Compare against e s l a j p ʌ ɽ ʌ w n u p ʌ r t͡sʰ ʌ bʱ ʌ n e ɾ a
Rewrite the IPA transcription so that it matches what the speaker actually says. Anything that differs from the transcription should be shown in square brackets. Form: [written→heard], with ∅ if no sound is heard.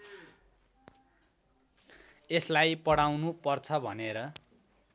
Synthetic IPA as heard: e s l a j p ʌ ɽ [ʌ→a] w n u p ʌ r t͡sʰ ʌ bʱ ʌ n e ɾ [a→ʌ]

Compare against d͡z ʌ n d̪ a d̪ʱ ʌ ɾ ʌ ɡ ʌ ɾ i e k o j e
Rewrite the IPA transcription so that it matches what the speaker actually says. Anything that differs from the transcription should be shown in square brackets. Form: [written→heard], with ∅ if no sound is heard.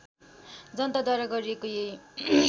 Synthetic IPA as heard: d͡z ʌ n [d̪→t̪] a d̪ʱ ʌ ɾ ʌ ɡ ʌ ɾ i e k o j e

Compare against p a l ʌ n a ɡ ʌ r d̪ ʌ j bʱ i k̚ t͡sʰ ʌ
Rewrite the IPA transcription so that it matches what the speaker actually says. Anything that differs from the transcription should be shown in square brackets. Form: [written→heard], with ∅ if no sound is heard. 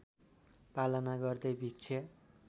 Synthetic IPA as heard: p a l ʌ n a ɡ ʌ r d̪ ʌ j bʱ i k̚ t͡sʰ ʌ

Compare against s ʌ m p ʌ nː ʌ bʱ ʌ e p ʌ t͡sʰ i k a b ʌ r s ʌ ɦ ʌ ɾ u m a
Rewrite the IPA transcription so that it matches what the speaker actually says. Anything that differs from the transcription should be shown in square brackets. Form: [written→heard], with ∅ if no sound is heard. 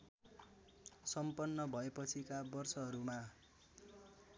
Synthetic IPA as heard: s ʌ m p ʌ nː ʌ bʱ ʌ e p ʌ t͡sʰ i k a b ʌ r s ʌ ɦ ʌ ɾ u m a

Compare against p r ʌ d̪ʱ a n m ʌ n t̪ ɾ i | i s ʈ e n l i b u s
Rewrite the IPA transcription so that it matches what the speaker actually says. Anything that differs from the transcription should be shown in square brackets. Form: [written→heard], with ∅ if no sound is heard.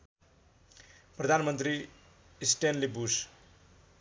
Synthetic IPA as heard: p r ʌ d̪ʱ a n m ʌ n t̪ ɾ i | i s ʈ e n l i b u s

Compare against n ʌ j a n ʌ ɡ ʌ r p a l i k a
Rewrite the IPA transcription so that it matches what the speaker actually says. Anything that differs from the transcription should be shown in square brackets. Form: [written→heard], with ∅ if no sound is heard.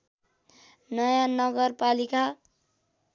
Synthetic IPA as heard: n ʌ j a n ʌ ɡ ʌ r p a l i k a

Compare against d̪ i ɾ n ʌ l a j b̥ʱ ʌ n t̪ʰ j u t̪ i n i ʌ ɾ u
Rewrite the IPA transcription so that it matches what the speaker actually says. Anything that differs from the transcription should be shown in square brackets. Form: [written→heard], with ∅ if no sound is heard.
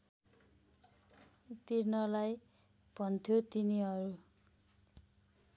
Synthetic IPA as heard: [d̪→t̪] i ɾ n ʌ l a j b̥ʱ ʌ n t̪ʰ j [u→o] t̪ i n i ʌ ɾ u

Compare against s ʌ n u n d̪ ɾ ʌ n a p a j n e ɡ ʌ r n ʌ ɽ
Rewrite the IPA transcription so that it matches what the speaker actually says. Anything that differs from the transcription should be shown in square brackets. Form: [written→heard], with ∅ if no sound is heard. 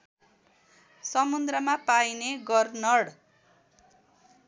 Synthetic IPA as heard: s ʌ [n→m] u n d̪ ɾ ʌ [n→m] a p a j n e ɡ ʌ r n ʌ ɽ

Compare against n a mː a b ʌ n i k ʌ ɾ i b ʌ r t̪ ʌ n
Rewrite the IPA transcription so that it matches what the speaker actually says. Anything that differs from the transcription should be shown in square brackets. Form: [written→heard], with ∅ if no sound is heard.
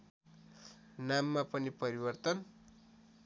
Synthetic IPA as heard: n a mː a [b→p] ʌ n i [k→p] ʌ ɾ i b ʌ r t̪ ʌ n

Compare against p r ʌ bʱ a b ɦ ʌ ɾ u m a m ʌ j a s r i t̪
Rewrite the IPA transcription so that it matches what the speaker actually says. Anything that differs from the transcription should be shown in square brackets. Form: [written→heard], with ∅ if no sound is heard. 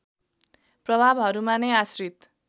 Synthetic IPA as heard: p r ʌ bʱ a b ɦ ʌ ɾ u m a [m→n] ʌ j a s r i t̪

